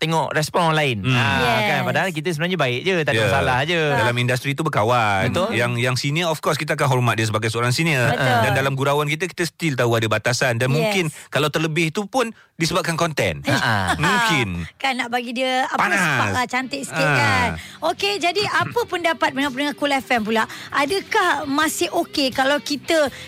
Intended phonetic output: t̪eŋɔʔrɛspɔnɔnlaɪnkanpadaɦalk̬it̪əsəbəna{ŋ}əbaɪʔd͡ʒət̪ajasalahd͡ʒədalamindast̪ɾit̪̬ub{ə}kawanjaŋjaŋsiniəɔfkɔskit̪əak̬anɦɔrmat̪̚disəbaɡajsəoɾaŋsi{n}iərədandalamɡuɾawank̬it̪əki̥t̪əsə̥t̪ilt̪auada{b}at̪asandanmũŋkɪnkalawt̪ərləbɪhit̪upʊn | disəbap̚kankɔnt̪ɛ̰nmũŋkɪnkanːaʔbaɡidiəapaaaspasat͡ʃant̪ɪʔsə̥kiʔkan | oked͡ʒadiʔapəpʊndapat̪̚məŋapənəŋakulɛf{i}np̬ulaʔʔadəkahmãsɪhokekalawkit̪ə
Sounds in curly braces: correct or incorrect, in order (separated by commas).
incorrect, correct, correct, correct, incorrect